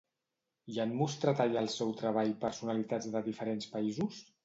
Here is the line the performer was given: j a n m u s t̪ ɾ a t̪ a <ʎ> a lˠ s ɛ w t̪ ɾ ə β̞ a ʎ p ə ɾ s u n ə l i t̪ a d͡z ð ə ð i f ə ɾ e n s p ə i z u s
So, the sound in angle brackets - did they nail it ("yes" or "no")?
yes